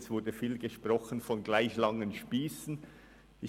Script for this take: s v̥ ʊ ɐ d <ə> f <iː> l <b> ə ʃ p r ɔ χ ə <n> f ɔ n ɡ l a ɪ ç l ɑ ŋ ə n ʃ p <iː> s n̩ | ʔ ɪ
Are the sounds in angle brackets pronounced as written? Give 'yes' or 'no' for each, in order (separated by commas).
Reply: yes, yes, no, yes, yes